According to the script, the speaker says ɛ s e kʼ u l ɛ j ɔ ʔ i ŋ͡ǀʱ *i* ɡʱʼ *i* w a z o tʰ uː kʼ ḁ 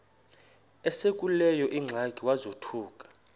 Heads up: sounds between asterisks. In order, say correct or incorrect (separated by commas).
incorrect, correct